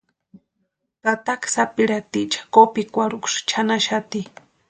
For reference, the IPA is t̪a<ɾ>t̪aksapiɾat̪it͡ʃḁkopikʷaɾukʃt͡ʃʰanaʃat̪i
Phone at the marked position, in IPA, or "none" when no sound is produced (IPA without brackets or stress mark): none